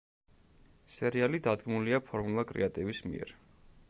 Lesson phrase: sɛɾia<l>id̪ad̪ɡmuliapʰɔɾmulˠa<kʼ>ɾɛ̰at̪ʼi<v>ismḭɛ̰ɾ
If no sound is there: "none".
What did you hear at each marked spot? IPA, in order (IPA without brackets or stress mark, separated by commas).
l, kʼ, v